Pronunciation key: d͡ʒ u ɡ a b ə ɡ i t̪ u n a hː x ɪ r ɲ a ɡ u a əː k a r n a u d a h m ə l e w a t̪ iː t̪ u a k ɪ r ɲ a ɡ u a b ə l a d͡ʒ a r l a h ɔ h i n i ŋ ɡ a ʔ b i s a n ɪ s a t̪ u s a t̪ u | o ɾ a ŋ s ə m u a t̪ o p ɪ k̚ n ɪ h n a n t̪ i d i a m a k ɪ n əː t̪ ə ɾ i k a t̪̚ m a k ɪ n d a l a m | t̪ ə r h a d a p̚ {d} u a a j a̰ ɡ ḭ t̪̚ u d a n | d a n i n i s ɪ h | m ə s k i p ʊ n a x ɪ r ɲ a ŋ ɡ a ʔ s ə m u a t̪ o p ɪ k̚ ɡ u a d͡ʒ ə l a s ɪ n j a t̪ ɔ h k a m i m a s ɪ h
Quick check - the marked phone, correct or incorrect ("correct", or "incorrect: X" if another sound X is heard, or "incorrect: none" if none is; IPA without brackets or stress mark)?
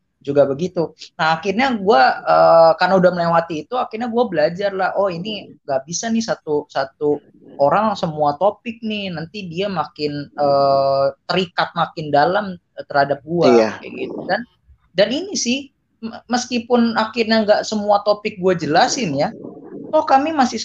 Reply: incorrect: ɡ